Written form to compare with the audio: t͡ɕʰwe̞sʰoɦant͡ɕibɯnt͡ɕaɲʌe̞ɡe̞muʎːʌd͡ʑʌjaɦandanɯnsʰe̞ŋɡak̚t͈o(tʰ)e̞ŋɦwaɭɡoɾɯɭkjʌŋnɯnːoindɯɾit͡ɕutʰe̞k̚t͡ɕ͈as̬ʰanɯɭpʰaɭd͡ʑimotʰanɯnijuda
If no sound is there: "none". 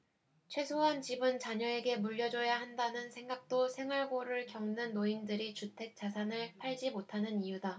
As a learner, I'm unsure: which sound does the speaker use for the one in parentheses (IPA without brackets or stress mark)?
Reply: sʰ